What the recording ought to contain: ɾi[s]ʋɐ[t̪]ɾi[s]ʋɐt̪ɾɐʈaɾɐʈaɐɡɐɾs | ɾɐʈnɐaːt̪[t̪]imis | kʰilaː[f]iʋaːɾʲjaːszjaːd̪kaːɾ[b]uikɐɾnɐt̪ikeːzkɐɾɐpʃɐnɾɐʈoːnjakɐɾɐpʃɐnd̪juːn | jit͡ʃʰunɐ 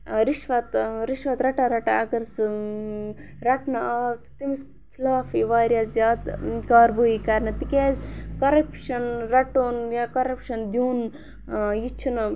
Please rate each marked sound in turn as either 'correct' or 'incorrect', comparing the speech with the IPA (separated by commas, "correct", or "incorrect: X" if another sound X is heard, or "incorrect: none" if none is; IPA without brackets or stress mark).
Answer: incorrect: ʃ, correct, incorrect: ʃ, correct, correct, correct